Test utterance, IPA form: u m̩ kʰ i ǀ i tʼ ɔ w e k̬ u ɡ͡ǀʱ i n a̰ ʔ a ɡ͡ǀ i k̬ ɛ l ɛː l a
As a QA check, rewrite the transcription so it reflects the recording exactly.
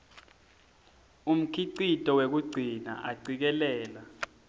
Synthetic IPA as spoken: u m̩ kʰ i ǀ i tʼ ɔ w e k̬ u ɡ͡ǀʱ i n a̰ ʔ a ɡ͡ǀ i k̬ ɛ l ɛː l a